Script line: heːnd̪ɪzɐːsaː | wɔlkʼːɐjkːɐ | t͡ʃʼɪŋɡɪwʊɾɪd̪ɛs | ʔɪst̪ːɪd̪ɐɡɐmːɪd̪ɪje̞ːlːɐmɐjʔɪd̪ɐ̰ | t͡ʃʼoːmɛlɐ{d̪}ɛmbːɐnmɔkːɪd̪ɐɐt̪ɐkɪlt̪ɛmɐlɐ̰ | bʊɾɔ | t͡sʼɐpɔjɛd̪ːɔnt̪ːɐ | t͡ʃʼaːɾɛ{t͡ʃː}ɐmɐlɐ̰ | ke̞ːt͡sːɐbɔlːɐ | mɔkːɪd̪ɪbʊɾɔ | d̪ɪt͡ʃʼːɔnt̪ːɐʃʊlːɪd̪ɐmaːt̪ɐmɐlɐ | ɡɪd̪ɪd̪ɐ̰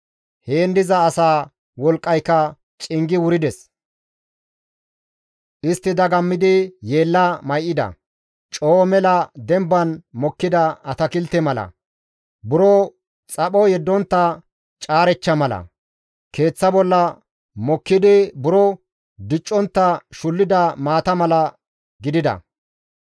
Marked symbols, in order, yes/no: yes, yes

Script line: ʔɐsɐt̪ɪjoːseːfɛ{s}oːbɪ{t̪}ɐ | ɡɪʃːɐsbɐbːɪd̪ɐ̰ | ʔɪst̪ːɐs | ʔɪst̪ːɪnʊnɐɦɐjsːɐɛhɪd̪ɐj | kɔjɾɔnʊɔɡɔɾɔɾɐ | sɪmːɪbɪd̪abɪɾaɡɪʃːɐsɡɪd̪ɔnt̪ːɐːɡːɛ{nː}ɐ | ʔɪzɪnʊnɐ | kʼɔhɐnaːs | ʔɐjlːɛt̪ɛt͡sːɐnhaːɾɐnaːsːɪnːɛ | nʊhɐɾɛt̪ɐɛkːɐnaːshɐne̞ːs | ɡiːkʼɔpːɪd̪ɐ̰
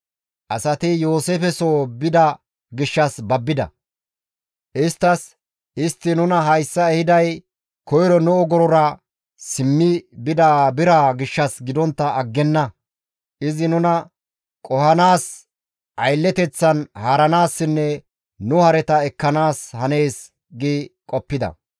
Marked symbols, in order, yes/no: yes, no, yes

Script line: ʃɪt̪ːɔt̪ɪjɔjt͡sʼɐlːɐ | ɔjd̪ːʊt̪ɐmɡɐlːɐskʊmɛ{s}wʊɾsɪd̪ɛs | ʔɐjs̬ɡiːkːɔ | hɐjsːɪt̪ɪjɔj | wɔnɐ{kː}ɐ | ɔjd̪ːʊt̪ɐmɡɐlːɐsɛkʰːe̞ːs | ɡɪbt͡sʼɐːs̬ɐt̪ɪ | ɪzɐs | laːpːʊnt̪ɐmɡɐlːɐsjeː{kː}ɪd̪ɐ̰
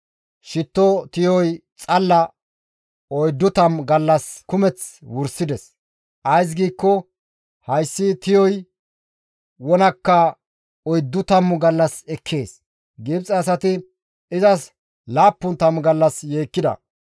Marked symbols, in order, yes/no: no, yes, yes

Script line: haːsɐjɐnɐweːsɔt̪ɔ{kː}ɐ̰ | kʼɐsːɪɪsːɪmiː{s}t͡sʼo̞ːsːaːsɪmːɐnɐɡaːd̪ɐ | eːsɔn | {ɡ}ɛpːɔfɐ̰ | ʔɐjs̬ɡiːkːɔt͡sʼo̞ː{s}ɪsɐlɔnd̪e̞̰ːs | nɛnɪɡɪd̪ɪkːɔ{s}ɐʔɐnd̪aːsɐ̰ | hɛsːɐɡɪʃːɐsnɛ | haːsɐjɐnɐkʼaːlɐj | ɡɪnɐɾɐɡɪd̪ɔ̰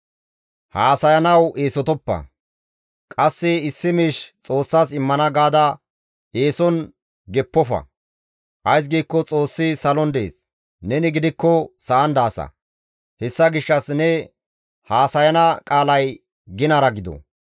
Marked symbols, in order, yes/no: no, no, yes, no, yes

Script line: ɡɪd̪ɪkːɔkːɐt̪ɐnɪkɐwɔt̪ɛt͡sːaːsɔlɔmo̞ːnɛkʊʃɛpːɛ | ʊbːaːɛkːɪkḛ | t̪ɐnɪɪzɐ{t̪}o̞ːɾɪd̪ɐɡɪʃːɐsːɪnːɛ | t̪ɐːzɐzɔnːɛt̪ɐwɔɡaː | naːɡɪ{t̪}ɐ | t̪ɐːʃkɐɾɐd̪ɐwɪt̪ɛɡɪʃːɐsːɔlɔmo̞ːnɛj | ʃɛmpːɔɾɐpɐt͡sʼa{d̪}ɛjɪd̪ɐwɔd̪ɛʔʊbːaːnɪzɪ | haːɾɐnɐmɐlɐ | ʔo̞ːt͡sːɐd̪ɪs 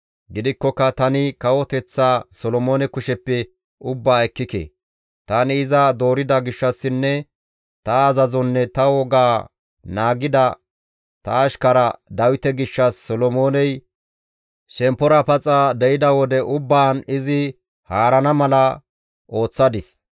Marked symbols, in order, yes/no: no, no, yes

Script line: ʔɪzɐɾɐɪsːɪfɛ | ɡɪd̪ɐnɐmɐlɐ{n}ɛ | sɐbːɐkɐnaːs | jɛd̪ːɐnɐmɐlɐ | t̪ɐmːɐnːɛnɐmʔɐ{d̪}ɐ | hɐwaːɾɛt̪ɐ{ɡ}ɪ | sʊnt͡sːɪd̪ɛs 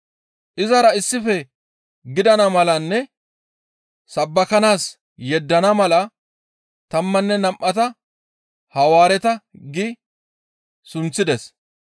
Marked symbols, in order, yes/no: no, no, yes

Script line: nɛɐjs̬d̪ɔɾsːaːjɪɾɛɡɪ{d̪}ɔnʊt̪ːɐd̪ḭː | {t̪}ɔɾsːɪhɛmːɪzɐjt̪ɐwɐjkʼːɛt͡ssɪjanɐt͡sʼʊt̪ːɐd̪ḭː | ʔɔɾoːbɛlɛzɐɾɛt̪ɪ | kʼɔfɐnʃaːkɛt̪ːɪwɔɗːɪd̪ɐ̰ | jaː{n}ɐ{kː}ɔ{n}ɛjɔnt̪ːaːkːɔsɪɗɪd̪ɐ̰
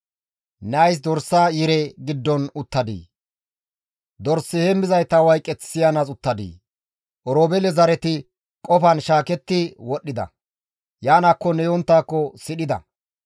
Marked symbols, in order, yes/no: no, no, yes, yes, yes

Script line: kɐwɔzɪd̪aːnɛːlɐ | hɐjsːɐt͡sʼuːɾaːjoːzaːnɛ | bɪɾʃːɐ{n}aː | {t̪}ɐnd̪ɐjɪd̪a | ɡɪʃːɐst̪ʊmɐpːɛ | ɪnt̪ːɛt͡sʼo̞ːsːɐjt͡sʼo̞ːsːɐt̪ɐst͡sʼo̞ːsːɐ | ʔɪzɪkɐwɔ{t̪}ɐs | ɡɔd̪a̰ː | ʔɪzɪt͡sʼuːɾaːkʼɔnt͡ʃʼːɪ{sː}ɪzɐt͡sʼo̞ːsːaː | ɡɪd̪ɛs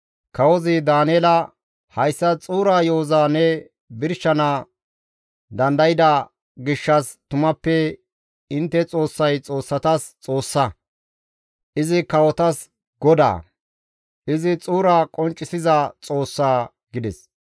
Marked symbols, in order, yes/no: yes, no, yes, no

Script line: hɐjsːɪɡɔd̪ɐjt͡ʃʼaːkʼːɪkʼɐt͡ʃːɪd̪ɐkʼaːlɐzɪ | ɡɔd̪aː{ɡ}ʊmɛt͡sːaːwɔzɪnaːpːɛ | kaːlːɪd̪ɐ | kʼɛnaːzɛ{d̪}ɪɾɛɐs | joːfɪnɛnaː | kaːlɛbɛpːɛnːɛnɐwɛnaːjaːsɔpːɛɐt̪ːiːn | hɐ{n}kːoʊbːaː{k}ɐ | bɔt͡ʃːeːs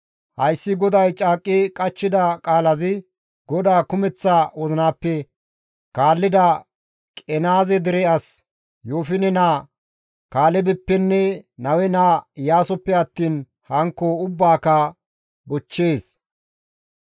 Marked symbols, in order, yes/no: no, yes, no, yes

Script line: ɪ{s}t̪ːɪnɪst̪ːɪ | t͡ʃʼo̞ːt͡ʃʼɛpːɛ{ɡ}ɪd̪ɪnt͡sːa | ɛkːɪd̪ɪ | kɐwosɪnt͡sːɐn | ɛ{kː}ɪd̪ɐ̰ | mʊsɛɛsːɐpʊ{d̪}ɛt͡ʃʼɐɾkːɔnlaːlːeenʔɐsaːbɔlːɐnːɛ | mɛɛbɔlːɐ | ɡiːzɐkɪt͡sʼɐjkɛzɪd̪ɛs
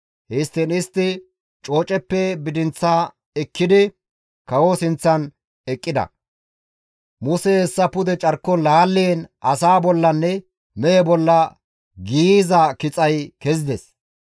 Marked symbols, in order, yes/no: yes, no, no, yes

